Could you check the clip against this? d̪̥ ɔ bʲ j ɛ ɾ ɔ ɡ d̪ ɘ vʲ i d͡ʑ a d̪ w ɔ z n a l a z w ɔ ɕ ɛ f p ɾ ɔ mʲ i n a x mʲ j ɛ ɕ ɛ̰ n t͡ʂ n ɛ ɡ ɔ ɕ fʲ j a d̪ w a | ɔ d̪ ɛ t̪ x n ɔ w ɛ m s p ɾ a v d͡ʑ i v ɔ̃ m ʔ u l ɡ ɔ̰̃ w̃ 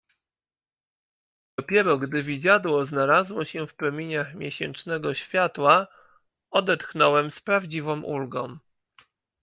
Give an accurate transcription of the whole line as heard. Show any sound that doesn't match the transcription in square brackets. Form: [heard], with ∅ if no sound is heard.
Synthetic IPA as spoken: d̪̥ ɔ [pʲ] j ɛ ɾ ɔ ɡ d̪ ɘ vʲ i d͡ʑ a d̪ w ɔ z n a l a z w ɔ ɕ ɛ f p ɾ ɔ mʲ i [ɲ] a x mʲ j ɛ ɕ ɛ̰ n t͡ʂ n ɛ ɡ ɔ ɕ fʲ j a [t̪] w a | ɔ d̪ ɛ t̪ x n ɔ w ɛ m s p ɾ a v d͡ʑ i v ɔ̃ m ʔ u l ɡ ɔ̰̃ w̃

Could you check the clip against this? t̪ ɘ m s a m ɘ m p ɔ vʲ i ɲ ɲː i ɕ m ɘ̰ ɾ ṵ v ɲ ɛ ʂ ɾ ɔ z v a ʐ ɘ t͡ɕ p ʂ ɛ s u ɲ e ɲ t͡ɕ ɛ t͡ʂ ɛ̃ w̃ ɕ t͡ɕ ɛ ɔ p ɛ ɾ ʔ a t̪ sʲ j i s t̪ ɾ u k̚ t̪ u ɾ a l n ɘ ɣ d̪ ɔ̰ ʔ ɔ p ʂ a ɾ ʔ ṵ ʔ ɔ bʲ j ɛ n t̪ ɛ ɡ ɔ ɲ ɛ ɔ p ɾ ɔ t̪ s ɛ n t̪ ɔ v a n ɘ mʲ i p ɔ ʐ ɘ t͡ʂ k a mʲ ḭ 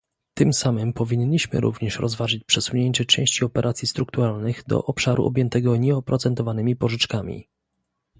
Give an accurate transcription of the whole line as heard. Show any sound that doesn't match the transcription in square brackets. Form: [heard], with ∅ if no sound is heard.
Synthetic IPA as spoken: t̪ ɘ m s a m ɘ m p ɔ vʲ i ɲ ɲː i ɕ m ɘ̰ ɾ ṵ v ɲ ɛ ʂ ɾ ɔ z v a ʐ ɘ t͡ɕ p ʂ ɛ s u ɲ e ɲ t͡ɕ ɛ t͡ʂ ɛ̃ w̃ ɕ t͡ɕ [i] ɔ p ɛ ɾ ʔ a t̪ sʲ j i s t̪ ɾ u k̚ t̪ u ɾ a l n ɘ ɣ d̪ ɔ̰ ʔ ɔ p ʂ a ɾ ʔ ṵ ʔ ɔ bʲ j ɛ n t̪ ɛ ɡ ɔ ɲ ɛ ɔ p ɾ ɔ t̪ s ɛ n t̪ ɔ v a n ɘ mʲ i p ɔ ʐ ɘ t͡ʂ k a mʲ ḭ

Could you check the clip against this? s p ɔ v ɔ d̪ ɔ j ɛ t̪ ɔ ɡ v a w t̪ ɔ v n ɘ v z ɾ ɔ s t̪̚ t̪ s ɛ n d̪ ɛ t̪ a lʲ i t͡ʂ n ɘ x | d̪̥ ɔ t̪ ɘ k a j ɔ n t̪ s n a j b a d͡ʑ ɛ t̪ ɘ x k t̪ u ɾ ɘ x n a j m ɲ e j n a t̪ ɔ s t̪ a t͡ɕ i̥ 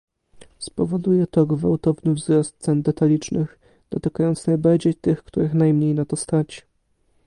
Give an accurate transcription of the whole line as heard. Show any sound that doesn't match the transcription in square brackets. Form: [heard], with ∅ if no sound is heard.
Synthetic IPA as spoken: s p ɔ v ɔ d̪ [u] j ɛ t̪ ɔ ɡ v a w t̪ ɔ v n ɘ v z ɾ ɔ s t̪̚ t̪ s ɛ n d̪ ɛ t̪ a lʲ i t͡ʂ n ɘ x | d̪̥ ɔ t̪ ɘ k a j ɔ n t̪ s n a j b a d͡ʑ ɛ t̪ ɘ x k t̪ u ɾ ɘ x n a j m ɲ e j n a t̪ ɔ s t̪ a t͡ɕ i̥

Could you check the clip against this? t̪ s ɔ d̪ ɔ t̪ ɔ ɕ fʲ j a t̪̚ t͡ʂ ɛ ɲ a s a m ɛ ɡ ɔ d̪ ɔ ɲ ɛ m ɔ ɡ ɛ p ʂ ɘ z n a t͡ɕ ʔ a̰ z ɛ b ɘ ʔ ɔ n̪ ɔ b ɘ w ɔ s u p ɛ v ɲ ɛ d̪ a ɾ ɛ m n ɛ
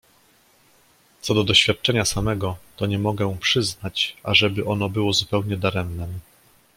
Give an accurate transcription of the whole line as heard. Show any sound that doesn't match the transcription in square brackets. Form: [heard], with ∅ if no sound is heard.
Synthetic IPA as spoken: t̪ s ɔ d̪ ɔ [d̪] ɔ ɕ fʲ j a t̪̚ t͡ʂ ɛ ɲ a s a m ɛ ɡ ɔ [t̪] ɔ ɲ ɛ m ɔ ɡ ɛ p ʂ ɘ z n a t͡ɕ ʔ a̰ [ʐ] ɛ b ɘ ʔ ɔ n̪ ɔ b ɘ w ɔ [z] u p ɛ [w] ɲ ɛ d̪ a ɾ ɛ m n ɛ

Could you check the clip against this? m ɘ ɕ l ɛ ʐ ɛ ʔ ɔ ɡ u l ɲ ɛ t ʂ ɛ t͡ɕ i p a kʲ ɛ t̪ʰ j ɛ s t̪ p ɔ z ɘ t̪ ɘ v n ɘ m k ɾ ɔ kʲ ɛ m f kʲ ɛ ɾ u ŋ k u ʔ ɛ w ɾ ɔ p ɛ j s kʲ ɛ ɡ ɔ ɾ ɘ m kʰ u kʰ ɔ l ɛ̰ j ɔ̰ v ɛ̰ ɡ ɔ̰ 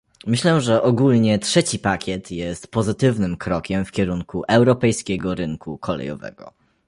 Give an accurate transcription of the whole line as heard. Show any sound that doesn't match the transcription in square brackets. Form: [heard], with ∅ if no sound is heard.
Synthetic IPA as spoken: m ɘ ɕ l ɛ ʐ ɛ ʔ ɔ ɡ u l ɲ ɛ t ʂ ɛ t͡ɕ i p a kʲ ɛ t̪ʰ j ɛ s t̪ p ɔ z ɘ t̪ ɘ v n ɘ m k ɾ ɔ kʲ ɛ m f kʲ ɛ ɾ u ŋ k u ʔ ɛ w ɾ ɔ p ɛ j s kʲ ɛ ɡ ɔ ɾ ɘ [ŋ] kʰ u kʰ ɔ l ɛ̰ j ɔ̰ v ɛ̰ ɡ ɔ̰

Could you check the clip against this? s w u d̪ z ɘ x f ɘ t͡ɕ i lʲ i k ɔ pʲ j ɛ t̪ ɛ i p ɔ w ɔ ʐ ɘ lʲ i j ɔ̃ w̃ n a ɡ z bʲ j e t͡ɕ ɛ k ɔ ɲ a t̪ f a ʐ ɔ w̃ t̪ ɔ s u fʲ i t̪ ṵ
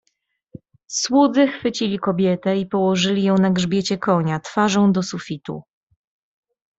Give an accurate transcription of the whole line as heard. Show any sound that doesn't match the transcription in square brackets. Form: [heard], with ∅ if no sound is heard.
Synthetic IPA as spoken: s w u d̪ z ɘ x f ɘ t͡ɕ i lʲ i k ɔ [bʲ] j ɛ t̪ ɛ i p ɔ w ɔ ʐ ɘ lʲ i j ɔ̃ w̃ n a ɡ [ʐ] bʲ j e t͡ɕ ɛ k ɔ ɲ a t̪ f a ʐ [ɔ̃] w̃ [d̪] ɔ s u fʲ i t̪ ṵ

